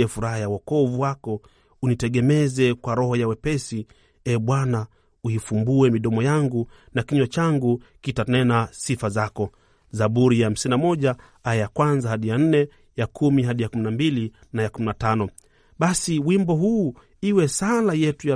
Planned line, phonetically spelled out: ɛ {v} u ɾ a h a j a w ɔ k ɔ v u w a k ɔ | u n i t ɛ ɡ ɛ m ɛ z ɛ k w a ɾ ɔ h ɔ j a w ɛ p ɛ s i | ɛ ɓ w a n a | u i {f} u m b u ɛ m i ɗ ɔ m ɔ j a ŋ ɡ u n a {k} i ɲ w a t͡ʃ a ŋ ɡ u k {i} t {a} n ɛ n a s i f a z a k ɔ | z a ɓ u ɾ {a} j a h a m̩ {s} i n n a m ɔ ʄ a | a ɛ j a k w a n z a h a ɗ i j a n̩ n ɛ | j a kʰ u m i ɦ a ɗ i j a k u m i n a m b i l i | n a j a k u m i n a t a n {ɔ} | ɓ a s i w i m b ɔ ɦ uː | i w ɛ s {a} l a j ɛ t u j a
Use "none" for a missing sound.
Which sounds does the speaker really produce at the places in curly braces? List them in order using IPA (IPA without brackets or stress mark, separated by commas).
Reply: f, f, k, i, a, i, s, ɔ, a